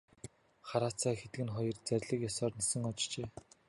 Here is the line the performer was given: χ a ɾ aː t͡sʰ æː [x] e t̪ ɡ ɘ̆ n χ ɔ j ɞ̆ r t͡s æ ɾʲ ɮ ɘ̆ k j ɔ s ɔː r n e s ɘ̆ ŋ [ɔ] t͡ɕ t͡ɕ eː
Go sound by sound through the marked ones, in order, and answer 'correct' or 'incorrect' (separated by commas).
correct, correct